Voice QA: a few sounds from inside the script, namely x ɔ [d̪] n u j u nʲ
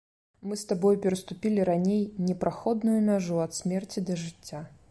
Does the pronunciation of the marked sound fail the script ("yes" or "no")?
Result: no